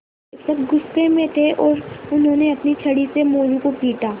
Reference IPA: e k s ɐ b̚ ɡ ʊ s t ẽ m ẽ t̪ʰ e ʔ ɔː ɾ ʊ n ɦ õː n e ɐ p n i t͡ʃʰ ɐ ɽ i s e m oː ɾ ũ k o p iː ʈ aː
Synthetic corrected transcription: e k s ɐ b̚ ɡ ʊ s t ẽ m ẽ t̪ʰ e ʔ ɔː ɾ ʊ n ɦ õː n e ɐ p n i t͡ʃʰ ɐ ɽ i s e m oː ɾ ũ k o p iː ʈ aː